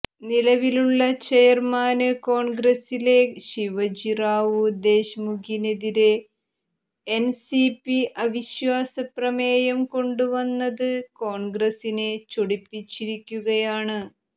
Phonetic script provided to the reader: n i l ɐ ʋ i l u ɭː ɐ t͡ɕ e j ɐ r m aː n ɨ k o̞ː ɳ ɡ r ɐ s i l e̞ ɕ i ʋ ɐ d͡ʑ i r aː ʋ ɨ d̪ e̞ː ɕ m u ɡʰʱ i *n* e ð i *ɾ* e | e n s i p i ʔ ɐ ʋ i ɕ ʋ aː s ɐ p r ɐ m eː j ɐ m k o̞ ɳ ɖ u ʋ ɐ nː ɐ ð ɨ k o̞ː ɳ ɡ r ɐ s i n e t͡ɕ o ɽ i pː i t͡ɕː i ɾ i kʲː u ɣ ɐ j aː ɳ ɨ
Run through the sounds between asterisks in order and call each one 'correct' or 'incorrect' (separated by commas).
correct, correct